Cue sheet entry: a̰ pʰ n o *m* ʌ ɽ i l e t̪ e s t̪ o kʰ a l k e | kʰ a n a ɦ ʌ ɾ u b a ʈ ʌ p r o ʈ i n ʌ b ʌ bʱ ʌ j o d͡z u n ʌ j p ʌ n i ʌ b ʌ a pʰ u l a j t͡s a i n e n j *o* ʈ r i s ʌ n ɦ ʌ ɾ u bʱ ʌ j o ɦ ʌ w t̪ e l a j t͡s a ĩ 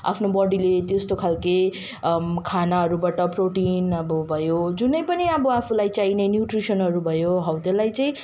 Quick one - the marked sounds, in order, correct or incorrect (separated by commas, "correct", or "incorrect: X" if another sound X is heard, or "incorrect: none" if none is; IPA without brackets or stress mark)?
incorrect: b, incorrect: u